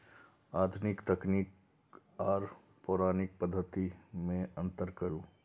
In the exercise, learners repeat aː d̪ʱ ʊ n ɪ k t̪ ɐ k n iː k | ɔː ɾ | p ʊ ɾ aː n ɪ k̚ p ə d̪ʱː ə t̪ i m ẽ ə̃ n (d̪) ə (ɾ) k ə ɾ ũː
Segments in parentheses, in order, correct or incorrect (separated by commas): incorrect, correct